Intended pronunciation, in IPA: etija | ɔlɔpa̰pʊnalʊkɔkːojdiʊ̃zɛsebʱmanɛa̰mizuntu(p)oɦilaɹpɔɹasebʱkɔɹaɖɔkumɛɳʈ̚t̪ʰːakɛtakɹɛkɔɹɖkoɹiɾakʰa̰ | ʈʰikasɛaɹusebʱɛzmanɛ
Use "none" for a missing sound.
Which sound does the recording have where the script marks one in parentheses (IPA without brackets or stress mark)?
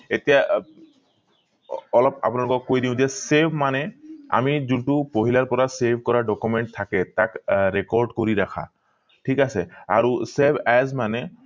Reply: p